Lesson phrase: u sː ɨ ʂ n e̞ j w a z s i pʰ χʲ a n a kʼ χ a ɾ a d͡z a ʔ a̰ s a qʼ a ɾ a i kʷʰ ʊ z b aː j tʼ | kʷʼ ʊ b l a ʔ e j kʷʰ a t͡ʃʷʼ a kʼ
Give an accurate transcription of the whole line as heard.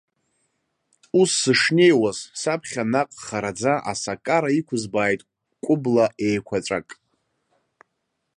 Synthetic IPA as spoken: u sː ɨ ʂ n e̞ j w a z s a pʰ χʲ a n a qʼ χ a ɾ a d͡z a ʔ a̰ s a kʼ a ɾ a i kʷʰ ʊ z b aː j tʼ | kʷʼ ʊ b l a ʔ e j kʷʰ a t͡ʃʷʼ a kʼ